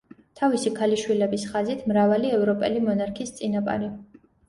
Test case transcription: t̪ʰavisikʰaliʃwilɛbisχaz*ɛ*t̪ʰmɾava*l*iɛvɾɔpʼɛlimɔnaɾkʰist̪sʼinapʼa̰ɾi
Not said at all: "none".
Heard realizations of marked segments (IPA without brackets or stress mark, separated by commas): i, l